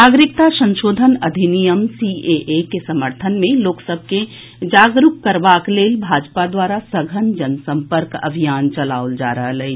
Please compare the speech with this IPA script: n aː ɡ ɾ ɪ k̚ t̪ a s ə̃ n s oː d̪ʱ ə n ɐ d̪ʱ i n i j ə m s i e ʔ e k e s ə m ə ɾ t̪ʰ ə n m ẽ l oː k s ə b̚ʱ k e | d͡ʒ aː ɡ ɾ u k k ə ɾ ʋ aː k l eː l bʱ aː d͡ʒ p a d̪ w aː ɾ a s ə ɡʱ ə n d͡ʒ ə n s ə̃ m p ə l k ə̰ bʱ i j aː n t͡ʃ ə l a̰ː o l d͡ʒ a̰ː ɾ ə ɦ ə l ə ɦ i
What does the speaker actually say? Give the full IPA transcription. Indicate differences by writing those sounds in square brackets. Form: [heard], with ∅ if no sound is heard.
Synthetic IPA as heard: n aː ɡ ɾ ɪ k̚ t̪ a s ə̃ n [ʃ] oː d̪ʱ ə n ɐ d̪ʱ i n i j ə m s i e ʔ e k e s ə m ə ɾ t̪ʰ ə n m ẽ l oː k s ə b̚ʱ k e | d͡ʒ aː ɡ ɾ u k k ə ɾ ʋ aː k l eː l bʱ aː d͡ʒ p a d̪ w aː ɾ a s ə ɡʱ ə n d͡ʒ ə n s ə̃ m p ə [ɾ] k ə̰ bʱ i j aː n t͡ʃ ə l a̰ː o l d͡ʒ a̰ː ɾ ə ɦ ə l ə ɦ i